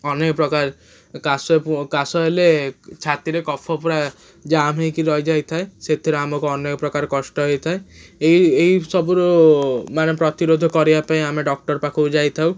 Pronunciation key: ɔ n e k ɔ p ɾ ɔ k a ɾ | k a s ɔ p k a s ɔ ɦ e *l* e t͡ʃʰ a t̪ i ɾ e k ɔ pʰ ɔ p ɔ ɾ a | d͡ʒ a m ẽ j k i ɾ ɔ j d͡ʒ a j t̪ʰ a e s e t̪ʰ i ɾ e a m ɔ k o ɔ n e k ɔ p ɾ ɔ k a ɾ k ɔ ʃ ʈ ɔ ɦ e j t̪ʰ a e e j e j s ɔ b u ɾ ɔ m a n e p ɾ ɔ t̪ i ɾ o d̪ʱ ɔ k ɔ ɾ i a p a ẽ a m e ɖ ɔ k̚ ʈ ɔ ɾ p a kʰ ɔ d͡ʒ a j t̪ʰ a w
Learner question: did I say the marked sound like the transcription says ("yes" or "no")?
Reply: yes